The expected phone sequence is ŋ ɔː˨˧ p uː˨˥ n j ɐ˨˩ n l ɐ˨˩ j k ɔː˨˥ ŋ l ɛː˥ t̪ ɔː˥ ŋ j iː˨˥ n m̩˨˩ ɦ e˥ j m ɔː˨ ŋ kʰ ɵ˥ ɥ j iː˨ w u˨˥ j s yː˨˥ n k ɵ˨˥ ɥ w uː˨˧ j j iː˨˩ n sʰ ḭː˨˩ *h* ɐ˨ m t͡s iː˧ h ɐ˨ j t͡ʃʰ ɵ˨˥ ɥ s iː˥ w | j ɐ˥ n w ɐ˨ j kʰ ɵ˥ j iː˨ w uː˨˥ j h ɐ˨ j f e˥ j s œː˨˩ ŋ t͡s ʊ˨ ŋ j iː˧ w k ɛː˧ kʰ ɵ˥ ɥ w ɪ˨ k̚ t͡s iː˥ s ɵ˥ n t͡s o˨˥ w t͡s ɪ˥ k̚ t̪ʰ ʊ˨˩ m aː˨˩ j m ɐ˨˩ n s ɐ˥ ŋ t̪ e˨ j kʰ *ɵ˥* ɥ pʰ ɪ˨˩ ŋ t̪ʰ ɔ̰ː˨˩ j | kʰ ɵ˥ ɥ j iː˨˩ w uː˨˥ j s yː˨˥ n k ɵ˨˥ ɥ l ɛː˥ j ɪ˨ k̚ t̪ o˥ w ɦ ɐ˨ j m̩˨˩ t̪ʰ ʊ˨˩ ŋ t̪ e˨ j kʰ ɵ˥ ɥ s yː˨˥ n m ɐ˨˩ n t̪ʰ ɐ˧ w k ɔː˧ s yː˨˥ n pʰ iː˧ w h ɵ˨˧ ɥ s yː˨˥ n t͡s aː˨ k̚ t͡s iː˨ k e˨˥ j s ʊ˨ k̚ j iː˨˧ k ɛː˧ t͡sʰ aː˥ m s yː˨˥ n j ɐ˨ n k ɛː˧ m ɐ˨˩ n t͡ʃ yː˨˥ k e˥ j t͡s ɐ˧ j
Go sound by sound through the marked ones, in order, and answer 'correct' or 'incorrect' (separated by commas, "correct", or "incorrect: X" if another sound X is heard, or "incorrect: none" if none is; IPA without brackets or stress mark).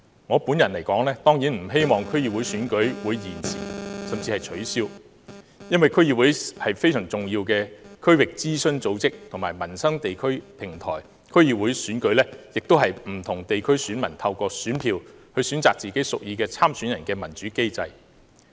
incorrect: s, correct